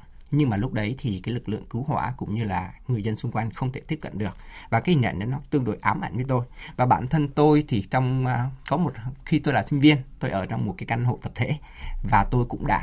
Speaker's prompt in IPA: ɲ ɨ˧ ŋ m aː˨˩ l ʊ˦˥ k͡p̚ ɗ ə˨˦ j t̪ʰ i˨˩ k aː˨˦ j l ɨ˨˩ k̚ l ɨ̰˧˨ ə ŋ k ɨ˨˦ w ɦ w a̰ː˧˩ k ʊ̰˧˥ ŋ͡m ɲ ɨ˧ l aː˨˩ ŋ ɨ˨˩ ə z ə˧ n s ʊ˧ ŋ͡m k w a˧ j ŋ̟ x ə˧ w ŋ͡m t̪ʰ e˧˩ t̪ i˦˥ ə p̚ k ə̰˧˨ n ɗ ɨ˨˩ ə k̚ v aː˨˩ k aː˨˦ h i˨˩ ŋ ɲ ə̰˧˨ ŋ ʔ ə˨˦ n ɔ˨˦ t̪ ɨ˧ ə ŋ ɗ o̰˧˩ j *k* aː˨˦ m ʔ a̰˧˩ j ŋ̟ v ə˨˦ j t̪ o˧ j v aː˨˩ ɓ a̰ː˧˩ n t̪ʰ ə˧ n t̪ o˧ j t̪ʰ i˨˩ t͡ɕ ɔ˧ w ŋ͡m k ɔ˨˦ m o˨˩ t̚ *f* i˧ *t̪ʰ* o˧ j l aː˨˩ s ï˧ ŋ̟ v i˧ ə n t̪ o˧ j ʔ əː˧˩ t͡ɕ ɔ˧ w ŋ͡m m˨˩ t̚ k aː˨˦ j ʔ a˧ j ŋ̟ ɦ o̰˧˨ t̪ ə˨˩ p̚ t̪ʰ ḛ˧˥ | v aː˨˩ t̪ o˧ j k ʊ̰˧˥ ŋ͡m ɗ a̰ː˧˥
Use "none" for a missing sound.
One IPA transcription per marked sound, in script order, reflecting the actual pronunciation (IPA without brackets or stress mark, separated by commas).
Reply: ʔ, x, t̪